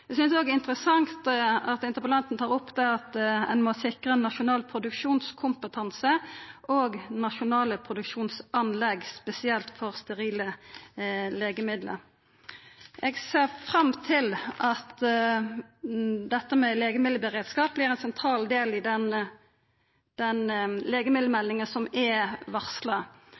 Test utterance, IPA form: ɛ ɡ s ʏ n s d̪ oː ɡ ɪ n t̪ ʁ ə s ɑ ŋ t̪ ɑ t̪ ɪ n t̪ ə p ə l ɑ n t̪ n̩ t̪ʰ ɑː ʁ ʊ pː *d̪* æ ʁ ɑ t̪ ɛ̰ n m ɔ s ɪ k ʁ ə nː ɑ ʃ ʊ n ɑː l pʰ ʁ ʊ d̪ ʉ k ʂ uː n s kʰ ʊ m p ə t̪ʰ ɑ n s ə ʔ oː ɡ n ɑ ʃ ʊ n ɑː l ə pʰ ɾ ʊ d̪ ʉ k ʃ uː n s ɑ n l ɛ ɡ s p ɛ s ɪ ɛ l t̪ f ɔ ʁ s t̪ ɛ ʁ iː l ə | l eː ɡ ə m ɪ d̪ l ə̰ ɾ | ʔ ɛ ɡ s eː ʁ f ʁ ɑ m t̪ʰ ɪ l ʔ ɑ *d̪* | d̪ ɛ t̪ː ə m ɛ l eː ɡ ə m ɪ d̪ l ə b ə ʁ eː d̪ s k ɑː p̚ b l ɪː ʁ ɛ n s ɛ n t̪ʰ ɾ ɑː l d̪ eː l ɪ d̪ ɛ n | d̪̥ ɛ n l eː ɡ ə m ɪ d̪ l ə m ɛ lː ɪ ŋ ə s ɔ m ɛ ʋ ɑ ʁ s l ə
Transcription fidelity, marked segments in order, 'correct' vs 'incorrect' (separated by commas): correct, incorrect